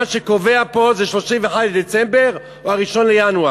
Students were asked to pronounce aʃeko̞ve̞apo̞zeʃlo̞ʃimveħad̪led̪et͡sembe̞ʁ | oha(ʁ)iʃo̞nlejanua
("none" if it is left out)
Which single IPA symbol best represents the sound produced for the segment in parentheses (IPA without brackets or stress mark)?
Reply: ʁ